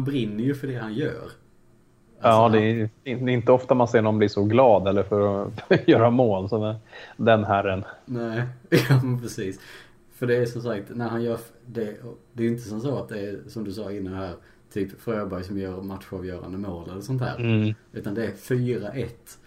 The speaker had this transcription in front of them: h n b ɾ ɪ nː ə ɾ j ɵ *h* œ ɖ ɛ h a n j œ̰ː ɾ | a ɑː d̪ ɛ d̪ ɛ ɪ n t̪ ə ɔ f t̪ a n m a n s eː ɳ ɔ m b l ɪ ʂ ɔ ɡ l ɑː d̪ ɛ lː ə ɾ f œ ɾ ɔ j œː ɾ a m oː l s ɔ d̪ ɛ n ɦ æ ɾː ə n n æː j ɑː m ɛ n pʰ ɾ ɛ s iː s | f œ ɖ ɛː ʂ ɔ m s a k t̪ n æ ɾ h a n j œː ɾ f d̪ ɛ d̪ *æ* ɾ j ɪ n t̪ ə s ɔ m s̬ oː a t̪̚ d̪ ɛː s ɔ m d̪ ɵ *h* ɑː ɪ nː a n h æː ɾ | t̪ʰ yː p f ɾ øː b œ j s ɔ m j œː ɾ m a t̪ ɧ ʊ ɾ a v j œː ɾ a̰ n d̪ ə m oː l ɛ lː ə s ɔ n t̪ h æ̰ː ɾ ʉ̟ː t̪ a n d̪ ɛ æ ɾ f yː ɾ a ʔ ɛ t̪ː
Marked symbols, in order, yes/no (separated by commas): no, no, no